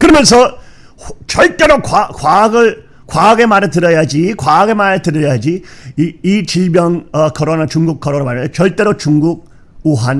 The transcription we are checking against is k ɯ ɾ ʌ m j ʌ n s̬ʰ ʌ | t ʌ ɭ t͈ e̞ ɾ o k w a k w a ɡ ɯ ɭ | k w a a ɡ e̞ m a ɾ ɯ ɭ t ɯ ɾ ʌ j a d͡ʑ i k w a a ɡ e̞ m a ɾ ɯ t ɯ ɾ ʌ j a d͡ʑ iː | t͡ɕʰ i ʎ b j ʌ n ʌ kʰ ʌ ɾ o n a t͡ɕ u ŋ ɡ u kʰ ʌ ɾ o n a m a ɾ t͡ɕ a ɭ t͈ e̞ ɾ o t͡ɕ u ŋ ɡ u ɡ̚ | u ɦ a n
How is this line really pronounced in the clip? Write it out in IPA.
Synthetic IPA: k ɯ ɾ ʌ m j ʌ n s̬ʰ ʌ | t͡ɕ ʌ ɭ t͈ e̞ ɾ o k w a k w a ɡ ɯ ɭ | k w a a ɡ e̞ m a ɾ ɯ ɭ t ɯ ɾ ʌ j a d͡ʑ i k w a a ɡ e̞ m a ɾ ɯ t ɯ ɾ ʌ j a d͡ʑ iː | t͡ɕ i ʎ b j ʌ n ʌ kʰ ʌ ɾ o n a t͡ɕ u ŋ ɡ u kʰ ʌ ɾ o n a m a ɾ t͡ɕ ʌ ɭ t͈ e̞ ɾ o t͡ɕ u ŋ ɡ u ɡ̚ | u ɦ a n

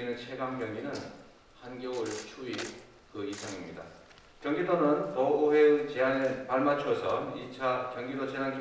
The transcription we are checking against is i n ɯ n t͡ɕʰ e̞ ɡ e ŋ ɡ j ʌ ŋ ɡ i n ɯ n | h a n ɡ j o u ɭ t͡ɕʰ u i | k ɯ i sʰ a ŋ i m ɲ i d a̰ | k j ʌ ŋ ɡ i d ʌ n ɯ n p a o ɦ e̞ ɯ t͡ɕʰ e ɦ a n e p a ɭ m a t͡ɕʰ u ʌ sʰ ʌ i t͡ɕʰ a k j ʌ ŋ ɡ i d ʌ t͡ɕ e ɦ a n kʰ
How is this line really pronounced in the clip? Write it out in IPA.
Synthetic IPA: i n ɯ n t͡ɕʰ e̞ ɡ a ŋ ɡ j ʌ ŋ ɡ i n ɯ n | h a n ɡ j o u ɭ t͡ɕʰ u i | k ɯ i sʰ a ŋ i m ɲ i d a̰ | k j ʌ ŋ ɡ i d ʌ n ɯ n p ʌ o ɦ e̞ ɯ t͡ɕ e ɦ a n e p a ɭ m a t͡ɕʰ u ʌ sʰ ʌ i t͡ɕʰ a k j ʌ ŋ ɡ i d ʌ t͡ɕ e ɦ a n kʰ

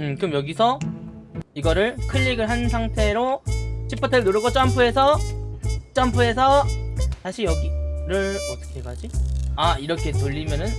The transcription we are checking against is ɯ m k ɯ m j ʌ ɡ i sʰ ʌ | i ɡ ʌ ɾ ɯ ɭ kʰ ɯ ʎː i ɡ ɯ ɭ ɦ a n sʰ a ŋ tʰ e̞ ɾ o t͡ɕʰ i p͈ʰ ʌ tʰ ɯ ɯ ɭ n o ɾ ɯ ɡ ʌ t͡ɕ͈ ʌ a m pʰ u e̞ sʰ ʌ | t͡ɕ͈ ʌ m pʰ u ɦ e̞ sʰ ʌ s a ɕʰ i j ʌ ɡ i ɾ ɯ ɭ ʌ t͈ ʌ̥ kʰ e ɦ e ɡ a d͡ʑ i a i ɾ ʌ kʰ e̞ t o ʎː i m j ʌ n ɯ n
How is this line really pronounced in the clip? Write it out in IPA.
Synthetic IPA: ɯ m k ɯ m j ʌ ɡ i sʰ ʌ | i ɡ ʌ ɾ ɯ ɭ kʰ ɯ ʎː i ɡ ɯ ɭ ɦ a n sʰ a ŋ tʰ e̞ ɾ o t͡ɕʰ i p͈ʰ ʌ tʰ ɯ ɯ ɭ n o ɾ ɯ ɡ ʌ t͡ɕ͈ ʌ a m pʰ u e̞ sʰ ʌ | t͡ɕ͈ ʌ m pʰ u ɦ e̞ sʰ ʌ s a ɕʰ i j ʌ ɡ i ɾ ɯ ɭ ʌ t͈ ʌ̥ kʰ e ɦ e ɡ a d͡ʑ i a i ɾ ʌ kʰ e̞ t o ʎː i m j ʌ n ɯ n

